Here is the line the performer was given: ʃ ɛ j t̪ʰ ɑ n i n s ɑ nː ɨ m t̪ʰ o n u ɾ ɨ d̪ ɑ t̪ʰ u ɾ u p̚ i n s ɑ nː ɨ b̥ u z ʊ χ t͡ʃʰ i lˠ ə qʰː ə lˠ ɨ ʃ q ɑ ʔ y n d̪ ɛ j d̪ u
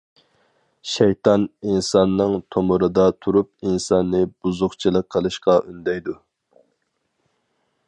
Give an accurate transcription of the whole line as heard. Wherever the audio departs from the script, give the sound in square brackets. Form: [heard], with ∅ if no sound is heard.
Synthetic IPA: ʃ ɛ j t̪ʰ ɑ n i n s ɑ nː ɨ [ŋ] t̪ʰ o [m] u ɾ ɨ d̪ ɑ t̪ʰ u ɾ u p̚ i n s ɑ nː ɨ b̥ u z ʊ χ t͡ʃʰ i lˠ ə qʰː ə lˠ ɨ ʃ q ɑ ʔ y n d̪ ɛ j d̪ u